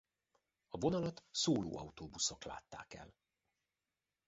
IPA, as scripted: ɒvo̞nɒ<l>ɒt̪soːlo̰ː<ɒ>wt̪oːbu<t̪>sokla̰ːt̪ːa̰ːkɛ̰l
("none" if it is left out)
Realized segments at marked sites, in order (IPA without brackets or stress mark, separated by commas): l, ɒ, none